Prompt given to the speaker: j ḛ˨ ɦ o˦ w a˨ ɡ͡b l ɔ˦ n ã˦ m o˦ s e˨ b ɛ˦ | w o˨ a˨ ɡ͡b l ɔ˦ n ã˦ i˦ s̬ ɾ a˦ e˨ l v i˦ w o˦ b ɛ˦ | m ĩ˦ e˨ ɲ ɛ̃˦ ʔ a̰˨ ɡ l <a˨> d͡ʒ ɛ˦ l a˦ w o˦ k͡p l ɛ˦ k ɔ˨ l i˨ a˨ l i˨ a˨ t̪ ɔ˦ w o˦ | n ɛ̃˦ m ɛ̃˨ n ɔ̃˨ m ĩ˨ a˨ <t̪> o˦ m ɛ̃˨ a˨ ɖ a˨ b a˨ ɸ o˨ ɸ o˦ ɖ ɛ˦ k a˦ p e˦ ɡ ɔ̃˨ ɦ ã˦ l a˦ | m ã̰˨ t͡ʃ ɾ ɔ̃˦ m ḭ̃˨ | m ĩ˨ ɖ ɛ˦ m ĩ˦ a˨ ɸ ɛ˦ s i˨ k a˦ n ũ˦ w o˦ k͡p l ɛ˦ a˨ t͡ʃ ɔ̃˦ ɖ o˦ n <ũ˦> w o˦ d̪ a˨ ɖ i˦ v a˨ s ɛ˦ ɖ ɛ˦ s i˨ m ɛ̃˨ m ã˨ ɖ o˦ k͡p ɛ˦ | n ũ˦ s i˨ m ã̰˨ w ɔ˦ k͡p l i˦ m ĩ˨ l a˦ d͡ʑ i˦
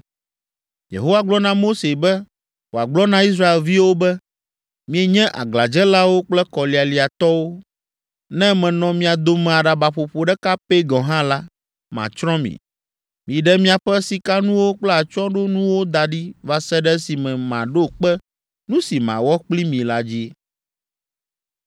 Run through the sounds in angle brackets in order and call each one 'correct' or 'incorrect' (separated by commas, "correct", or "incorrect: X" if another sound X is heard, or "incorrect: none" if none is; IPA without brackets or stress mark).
correct, incorrect: d̪, correct